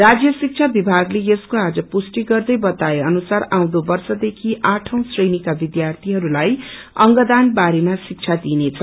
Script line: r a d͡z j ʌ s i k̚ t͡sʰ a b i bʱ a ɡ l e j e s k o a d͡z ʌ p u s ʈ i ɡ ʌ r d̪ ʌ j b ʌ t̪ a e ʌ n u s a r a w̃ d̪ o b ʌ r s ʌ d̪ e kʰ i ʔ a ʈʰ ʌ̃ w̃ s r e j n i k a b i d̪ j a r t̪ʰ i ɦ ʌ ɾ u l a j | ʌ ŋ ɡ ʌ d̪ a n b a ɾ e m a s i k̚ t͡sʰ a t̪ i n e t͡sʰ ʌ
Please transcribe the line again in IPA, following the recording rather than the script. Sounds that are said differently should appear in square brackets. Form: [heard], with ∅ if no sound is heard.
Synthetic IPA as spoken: r a d͡z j ʌ s i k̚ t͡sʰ a b i bʱ a ɡ l e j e s k o a d͡z ʌ p u s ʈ i ɡ ʌ r d̪ ʌ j b ʌ t̪ a e ʌ n u s a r a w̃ d̪ o b ʌ r s ʌ d̪ e kʰ i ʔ a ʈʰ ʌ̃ w̃ s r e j n i k a b i d̪ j a r t̪ʰ i ɦ ʌ ɾ u l a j | ʌ ŋ ɡ ʌ d̪ a n b a ɾ e m a s i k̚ t͡sʰ a [d̪] i n e t͡sʰ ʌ